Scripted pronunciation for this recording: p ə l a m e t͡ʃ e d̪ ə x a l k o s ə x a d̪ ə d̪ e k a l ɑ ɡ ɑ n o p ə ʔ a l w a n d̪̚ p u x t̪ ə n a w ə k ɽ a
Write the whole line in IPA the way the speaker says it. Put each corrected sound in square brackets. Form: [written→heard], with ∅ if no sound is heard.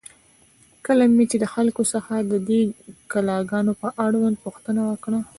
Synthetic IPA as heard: [p→k] ə l a m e t͡ʃ e d̪ ə x a l k o s ə x a d̪ ə d̪ e k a l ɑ ɡ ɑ n o p ə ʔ a [l→ɽ] w a n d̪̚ p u x t̪ ə n a w ə k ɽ a